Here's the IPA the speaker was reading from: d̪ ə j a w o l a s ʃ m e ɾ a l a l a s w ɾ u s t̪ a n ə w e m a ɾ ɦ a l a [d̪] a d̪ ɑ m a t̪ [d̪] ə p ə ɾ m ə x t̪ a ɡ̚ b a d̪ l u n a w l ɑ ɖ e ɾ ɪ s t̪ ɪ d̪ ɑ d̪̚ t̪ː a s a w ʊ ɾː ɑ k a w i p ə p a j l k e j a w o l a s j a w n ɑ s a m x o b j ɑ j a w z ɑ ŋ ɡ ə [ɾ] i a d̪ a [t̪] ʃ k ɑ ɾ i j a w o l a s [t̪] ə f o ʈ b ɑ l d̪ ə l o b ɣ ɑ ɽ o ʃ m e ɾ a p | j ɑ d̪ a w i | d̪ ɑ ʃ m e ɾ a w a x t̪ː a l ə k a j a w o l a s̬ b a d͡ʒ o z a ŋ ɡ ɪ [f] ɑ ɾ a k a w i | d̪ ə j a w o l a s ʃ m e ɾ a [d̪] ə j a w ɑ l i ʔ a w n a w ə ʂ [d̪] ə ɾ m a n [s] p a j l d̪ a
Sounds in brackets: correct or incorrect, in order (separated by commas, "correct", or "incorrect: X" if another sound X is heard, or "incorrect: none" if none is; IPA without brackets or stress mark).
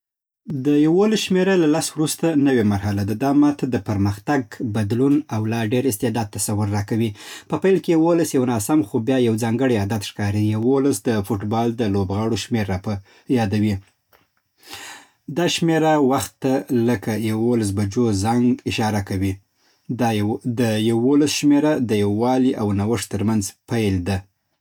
correct, correct, incorrect: ɽ, correct, incorrect: d̪, incorrect: ʃ, correct, incorrect: t̪, incorrect: z